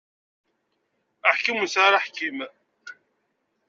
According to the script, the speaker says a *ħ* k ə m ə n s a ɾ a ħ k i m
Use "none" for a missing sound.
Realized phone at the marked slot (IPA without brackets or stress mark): ħ